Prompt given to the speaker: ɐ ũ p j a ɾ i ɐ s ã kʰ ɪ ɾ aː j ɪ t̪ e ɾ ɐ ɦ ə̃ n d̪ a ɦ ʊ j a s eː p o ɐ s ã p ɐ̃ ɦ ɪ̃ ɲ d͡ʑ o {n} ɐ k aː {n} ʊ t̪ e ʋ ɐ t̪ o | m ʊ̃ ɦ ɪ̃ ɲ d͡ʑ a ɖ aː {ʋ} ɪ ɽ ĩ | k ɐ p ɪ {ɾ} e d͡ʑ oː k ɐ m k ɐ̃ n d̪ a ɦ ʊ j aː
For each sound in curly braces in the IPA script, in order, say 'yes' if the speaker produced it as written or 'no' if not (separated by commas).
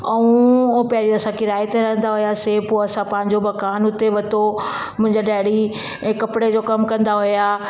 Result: no, yes, no, no